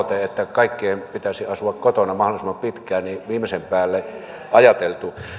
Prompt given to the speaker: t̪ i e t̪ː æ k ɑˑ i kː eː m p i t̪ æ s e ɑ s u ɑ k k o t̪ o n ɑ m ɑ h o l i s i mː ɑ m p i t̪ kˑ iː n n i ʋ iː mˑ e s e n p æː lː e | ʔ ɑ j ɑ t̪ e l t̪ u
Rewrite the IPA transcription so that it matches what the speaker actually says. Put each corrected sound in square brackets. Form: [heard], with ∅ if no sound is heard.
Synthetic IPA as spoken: t̪ [e] e t̪ː æ k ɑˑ i kː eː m p i t̪ æ s [i] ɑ s u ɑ k k o t̪ o n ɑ m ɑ h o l i s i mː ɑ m p i t̪ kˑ [æː] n n i ʋ iː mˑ e s e [m] p æː lː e | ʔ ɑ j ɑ t̪ e l t̪ u